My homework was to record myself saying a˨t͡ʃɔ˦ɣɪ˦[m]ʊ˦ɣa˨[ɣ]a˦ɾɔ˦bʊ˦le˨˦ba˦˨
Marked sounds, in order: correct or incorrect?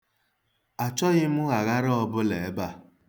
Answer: correct, correct

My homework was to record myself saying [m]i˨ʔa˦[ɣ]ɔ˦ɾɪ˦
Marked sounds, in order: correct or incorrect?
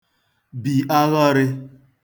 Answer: incorrect: b, correct

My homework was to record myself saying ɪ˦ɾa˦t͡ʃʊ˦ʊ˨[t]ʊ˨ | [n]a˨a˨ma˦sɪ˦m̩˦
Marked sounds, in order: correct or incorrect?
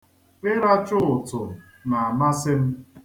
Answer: correct, correct

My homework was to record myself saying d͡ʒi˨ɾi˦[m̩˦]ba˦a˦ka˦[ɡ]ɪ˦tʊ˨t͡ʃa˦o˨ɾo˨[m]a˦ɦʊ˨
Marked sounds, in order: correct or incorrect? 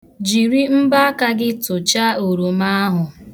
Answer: correct, correct, correct

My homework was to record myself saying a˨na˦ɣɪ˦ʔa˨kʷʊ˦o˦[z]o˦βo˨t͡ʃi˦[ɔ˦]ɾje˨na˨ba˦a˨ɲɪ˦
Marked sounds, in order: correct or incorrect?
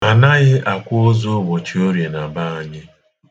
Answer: correct, incorrect: o˦

